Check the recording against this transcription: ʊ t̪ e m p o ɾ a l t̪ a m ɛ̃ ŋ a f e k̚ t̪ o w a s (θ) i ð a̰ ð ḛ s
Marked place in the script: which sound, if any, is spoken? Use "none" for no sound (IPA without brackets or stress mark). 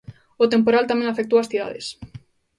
θ